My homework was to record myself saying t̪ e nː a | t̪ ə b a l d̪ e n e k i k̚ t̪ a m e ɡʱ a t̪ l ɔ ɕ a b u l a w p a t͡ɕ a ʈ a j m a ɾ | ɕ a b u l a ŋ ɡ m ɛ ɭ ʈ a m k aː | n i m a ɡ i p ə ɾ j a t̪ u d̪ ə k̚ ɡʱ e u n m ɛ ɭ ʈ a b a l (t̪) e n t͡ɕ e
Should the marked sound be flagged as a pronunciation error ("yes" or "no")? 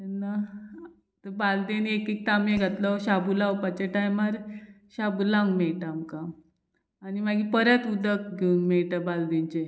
yes